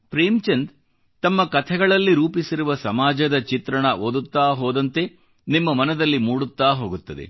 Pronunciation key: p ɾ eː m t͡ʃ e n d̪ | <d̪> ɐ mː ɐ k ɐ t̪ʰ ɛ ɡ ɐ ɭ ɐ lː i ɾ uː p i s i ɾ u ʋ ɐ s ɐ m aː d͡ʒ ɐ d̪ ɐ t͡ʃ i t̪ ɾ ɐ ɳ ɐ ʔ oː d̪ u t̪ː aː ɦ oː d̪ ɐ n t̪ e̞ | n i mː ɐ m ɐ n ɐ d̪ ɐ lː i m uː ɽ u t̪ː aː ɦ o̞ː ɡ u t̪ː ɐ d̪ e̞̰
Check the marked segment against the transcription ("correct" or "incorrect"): incorrect